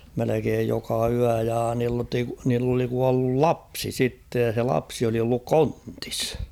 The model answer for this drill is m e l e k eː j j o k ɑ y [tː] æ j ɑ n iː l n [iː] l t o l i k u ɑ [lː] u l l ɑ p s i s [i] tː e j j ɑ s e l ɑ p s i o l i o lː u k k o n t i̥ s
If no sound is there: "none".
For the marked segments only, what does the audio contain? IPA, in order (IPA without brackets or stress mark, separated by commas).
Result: none, iː, lː, i